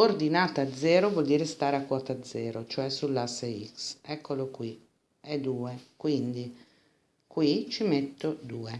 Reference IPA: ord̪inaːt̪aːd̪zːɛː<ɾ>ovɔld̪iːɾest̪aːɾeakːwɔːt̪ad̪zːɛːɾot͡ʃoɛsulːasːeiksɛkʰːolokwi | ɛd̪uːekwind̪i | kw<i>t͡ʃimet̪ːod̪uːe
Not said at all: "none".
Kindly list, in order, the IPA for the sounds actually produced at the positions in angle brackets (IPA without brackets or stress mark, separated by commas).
ɾ, i